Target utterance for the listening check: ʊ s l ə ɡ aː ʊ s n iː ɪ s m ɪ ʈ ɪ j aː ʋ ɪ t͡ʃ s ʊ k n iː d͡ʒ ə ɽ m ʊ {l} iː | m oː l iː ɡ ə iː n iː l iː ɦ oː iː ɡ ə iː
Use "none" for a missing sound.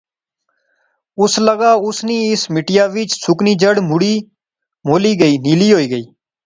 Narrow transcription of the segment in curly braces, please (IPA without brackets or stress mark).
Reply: ɽ